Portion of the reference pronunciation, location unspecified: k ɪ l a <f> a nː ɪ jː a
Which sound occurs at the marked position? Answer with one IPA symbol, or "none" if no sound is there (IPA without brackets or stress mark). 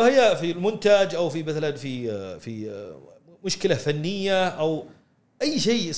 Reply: f